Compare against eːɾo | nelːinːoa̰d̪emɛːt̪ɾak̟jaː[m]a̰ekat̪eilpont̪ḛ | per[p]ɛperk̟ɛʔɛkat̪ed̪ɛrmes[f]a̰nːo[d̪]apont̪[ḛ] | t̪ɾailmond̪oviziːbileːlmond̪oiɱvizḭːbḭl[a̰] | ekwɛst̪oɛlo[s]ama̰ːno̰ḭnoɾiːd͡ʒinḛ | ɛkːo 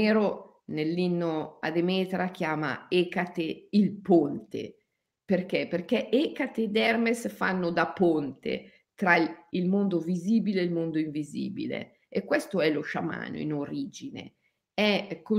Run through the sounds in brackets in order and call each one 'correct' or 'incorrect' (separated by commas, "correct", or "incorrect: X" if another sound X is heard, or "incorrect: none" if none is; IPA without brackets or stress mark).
correct, incorrect: k, correct, correct, correct, incorrect: ḛ, incorrect: ʃ